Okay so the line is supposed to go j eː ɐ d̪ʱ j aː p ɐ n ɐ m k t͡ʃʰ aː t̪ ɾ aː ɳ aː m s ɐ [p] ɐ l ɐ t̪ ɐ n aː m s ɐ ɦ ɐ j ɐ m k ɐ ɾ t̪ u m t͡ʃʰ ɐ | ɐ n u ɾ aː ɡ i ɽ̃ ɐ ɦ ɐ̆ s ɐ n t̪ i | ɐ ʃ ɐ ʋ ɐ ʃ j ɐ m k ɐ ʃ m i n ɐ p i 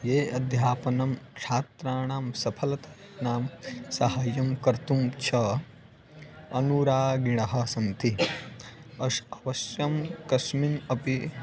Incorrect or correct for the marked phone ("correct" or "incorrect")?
incorrect